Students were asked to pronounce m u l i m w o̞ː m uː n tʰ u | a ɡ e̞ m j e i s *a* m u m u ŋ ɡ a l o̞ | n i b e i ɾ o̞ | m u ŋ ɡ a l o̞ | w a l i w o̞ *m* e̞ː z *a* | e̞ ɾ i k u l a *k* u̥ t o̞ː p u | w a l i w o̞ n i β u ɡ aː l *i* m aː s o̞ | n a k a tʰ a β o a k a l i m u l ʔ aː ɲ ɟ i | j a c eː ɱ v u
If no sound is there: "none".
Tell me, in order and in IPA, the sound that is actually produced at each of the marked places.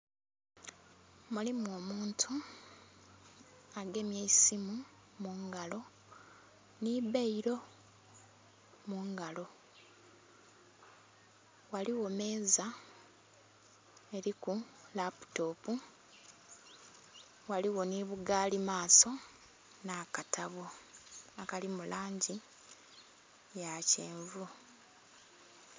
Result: i, m, a, p, i

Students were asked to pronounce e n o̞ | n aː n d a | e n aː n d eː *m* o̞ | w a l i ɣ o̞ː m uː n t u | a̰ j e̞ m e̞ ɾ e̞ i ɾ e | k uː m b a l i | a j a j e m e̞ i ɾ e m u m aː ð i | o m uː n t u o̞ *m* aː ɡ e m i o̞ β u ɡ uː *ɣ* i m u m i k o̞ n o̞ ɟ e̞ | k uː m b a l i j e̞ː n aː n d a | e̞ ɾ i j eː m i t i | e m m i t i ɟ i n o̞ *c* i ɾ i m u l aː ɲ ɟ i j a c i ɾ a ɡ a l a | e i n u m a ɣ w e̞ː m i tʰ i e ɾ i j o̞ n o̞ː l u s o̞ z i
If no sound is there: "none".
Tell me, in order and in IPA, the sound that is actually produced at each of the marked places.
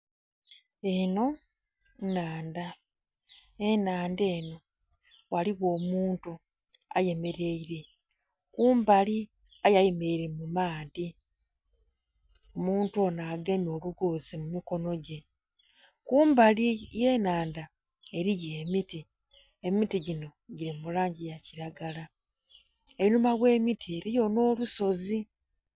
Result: n, n, z, ɟ

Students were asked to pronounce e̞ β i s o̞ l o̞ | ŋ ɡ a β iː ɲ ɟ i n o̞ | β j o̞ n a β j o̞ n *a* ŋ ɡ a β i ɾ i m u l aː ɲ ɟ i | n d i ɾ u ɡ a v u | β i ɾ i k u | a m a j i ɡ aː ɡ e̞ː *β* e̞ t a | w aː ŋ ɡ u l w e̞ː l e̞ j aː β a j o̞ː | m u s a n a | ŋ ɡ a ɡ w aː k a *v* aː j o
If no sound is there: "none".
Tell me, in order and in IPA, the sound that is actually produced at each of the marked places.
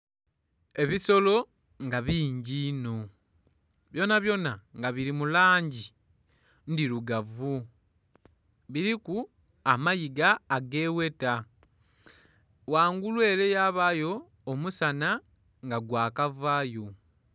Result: a, w, v

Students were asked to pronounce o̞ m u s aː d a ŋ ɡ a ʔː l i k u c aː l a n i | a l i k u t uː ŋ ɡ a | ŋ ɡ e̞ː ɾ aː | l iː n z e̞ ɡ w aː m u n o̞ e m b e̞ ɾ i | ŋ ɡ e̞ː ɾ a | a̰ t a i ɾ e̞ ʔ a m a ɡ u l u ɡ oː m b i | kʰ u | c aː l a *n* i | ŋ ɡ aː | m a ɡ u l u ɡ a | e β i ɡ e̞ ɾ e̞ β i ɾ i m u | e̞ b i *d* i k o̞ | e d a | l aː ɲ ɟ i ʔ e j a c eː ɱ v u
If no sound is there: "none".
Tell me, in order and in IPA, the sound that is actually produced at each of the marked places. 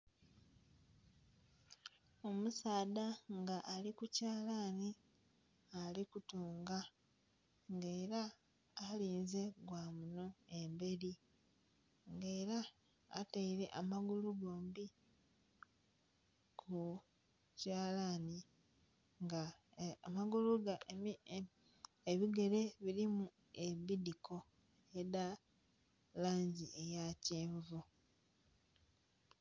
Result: n, d

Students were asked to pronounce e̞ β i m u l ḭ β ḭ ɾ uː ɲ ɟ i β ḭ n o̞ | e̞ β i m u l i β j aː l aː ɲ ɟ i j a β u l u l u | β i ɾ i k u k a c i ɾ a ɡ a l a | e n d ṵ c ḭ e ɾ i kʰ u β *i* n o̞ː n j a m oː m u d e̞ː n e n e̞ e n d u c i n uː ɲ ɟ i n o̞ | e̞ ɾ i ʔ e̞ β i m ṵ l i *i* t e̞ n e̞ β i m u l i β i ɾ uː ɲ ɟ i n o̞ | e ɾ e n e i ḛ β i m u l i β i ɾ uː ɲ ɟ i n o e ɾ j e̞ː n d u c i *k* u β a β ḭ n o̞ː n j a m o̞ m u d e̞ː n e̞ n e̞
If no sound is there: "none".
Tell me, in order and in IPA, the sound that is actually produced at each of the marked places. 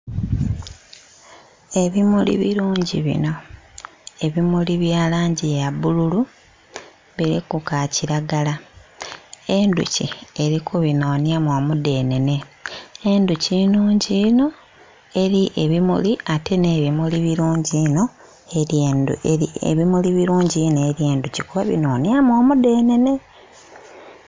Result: i, a, k

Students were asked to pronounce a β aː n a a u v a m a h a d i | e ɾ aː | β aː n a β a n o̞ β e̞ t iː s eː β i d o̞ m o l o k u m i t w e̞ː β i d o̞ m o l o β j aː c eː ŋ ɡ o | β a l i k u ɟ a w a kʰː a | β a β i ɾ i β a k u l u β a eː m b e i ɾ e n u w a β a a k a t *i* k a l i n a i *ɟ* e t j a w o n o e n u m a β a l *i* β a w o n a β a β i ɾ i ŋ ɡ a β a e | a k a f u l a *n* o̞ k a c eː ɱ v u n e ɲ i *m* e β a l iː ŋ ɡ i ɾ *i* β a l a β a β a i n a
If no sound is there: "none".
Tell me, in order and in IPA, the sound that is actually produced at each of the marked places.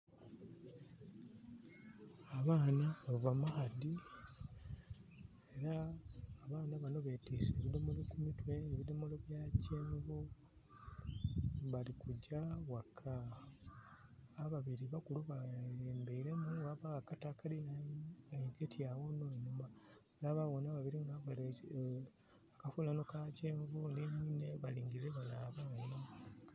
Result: a, ɡ, a, n, n, e

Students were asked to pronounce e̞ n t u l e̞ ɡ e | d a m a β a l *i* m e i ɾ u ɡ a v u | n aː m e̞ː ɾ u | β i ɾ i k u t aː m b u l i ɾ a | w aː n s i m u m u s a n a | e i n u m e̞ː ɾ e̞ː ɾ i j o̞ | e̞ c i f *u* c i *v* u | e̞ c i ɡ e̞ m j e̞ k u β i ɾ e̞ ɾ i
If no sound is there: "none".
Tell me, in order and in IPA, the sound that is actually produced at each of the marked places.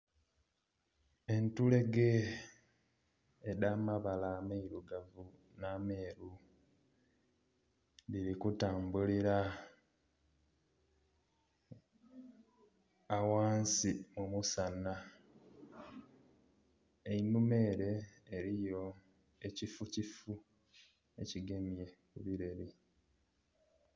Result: a, u, f

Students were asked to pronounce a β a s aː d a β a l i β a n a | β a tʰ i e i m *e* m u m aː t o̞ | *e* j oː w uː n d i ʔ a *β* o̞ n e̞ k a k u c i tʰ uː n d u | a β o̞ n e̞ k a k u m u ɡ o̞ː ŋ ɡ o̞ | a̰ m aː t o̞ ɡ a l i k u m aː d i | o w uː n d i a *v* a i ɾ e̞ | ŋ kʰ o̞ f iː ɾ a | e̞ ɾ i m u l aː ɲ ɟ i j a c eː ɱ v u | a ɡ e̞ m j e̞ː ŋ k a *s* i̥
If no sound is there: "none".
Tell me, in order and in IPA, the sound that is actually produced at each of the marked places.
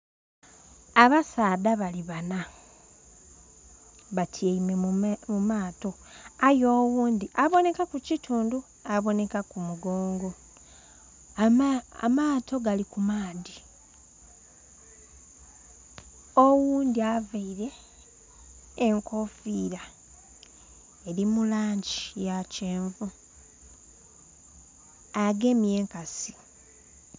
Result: e, a, β, v, s

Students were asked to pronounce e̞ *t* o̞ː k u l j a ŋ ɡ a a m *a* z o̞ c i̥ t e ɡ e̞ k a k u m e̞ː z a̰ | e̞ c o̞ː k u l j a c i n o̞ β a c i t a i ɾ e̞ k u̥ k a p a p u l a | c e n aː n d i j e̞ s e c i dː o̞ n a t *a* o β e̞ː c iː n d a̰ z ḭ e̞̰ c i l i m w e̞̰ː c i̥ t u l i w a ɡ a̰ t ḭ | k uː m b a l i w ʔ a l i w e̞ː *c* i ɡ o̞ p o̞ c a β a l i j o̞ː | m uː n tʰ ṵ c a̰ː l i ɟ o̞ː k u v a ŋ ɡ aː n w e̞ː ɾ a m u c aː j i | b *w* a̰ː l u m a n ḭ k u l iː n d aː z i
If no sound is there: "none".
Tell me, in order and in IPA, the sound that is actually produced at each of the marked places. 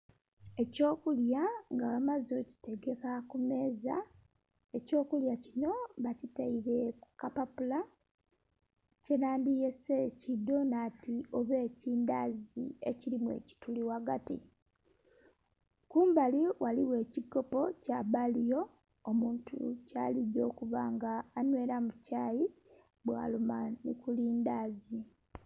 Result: c, a, i, c, w

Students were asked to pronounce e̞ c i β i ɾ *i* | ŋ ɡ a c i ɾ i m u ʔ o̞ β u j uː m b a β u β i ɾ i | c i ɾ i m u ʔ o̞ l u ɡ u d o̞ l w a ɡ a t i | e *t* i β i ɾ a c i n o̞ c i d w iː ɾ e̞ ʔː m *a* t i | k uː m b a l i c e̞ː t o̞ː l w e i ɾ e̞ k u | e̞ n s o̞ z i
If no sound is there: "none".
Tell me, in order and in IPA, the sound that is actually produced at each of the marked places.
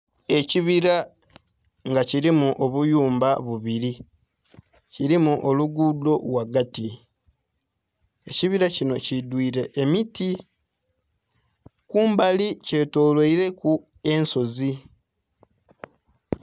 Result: a, c, i

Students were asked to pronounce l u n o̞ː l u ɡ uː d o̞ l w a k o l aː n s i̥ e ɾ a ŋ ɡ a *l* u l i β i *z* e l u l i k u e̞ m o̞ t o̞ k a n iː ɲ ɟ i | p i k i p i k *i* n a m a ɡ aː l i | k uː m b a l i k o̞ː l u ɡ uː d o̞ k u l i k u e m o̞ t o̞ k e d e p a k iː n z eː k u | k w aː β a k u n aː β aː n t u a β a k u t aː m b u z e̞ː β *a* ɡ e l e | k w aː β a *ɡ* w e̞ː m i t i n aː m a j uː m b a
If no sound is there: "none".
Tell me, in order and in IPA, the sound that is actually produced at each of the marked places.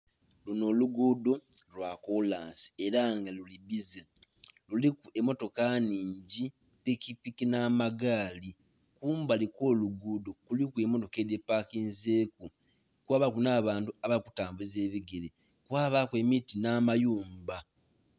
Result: l, z, i, i, k

